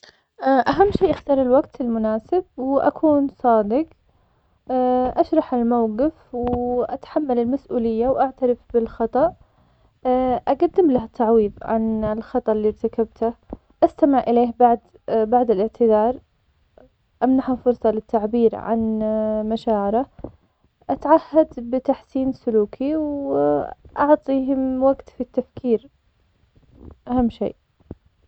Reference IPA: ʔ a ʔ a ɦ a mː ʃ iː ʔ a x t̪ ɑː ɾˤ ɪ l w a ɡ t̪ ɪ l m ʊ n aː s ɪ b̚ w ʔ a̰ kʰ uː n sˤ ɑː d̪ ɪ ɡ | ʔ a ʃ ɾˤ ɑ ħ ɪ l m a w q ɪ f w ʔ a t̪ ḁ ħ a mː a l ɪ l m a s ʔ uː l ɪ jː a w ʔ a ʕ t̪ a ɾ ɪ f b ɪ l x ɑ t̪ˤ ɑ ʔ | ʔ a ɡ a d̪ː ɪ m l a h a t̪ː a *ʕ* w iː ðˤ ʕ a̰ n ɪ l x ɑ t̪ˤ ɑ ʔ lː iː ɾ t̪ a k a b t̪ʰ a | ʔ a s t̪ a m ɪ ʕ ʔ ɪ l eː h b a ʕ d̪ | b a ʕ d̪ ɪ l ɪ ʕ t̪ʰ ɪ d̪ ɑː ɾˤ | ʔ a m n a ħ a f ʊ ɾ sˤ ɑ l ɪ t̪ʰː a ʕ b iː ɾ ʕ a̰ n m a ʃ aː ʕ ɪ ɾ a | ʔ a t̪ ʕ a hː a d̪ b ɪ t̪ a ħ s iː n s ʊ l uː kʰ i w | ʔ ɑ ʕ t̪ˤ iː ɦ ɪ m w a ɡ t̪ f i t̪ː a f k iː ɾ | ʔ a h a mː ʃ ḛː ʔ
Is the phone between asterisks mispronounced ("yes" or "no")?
no